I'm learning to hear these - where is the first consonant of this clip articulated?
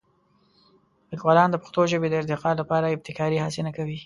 tongue tip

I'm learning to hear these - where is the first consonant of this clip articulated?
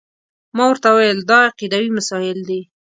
lips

